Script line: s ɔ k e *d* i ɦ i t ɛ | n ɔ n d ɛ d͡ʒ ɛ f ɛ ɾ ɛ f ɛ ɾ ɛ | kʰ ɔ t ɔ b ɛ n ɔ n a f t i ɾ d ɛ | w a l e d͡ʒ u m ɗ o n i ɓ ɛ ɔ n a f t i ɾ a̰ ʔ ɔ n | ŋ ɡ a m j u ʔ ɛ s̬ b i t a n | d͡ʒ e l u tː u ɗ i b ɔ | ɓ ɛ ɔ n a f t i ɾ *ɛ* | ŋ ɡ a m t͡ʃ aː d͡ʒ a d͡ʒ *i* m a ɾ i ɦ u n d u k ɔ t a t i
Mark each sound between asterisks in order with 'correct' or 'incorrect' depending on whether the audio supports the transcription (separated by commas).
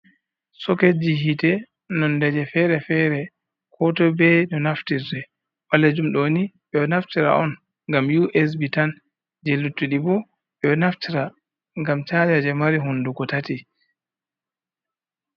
incorrect, incorrect, incorrect